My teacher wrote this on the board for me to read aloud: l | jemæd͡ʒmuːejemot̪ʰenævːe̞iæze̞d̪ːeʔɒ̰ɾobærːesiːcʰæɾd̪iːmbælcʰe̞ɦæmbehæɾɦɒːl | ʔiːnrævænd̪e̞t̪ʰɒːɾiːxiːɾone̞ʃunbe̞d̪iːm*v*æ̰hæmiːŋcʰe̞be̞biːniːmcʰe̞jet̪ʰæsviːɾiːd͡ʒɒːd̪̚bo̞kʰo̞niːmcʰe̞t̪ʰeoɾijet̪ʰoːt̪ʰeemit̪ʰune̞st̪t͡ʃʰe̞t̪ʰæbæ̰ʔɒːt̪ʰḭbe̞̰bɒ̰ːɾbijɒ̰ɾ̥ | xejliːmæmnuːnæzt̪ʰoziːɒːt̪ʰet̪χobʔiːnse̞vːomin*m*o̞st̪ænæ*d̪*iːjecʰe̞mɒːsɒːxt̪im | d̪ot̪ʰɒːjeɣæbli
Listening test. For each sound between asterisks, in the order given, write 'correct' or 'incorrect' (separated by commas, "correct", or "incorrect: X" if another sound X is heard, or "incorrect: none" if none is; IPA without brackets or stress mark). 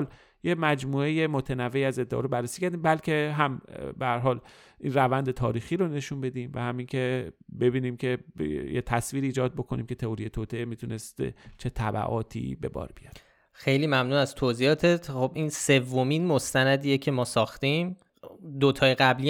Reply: correct, correct, correct